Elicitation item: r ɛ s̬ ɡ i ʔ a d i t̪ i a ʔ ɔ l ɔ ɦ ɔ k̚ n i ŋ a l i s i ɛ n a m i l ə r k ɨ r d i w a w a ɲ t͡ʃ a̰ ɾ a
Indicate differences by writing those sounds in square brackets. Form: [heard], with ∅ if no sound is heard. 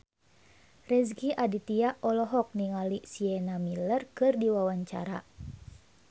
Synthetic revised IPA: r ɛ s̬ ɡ i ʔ a d i t̪ i a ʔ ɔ l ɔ ɦ ɔ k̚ n i ŋ a l i s i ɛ n a m i l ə r k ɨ r d i w a w a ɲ t͡ʃ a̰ ɾ a